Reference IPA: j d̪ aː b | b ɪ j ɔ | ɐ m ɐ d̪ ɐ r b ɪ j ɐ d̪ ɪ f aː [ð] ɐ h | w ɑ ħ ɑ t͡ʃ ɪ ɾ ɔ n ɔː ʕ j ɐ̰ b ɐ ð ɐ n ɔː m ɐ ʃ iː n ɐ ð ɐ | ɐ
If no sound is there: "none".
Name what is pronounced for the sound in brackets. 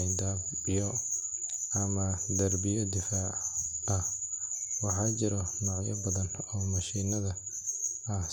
ʕ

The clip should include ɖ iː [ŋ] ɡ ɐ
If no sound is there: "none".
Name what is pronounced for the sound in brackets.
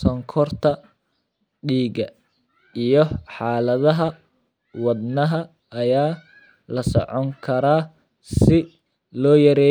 none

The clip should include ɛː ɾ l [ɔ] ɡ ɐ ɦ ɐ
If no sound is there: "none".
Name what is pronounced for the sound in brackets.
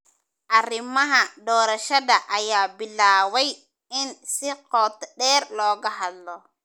ɔː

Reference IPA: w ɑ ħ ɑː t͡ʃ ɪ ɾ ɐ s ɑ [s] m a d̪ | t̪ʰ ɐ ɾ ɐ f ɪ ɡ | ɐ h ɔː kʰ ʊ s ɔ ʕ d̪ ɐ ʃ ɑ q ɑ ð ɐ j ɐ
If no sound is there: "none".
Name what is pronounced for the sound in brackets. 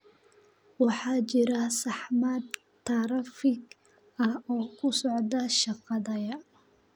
ħ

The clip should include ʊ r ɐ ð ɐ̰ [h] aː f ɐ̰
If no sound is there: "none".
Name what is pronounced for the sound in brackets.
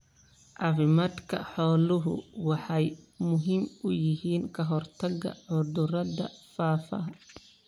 f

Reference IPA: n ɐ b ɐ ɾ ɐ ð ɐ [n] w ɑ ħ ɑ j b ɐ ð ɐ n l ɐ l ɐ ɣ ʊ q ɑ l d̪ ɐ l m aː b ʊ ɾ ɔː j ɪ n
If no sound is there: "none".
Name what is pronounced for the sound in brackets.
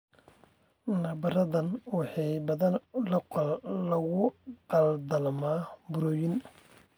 n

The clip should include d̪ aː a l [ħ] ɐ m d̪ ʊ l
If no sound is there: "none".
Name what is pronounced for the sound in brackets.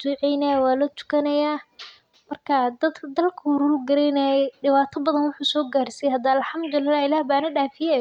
ħ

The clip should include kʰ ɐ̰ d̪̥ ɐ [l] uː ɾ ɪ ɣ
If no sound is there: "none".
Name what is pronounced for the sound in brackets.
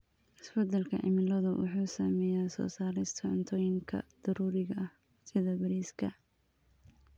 ɾ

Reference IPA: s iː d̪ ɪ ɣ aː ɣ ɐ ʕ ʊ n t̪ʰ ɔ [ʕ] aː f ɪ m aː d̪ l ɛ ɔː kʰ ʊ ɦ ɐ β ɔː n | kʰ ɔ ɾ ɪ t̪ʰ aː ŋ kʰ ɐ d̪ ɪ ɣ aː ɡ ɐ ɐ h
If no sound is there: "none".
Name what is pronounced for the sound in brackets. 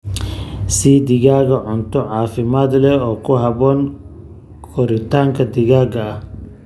ʕ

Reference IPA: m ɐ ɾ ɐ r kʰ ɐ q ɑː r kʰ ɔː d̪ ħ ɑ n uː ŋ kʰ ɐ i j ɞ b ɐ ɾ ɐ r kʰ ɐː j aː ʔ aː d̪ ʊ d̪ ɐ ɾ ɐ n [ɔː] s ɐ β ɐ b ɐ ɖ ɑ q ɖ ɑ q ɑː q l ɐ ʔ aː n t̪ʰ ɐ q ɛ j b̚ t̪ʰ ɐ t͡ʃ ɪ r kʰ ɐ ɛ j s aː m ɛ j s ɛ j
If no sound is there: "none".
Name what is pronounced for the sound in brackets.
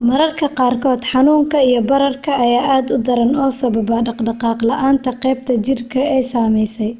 ɔː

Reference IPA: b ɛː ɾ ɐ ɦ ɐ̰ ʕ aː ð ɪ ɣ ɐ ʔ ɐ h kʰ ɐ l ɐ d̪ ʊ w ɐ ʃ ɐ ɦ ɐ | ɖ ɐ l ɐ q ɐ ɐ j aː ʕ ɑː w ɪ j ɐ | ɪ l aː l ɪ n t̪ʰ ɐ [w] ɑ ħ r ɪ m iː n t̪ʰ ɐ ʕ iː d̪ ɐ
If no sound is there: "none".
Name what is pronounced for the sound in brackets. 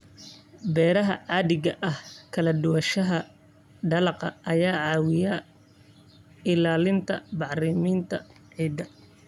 b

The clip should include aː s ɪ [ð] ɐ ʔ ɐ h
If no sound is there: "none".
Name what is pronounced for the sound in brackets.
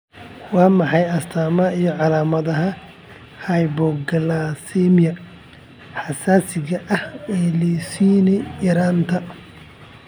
ɣ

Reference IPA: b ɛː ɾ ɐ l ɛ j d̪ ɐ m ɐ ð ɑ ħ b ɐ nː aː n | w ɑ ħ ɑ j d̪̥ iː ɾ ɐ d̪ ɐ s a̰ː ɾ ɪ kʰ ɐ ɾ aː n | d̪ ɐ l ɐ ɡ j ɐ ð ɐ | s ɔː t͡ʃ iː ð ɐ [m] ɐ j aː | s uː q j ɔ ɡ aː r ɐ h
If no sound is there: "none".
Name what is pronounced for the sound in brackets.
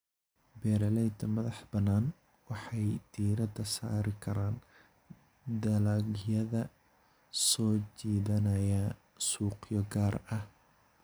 n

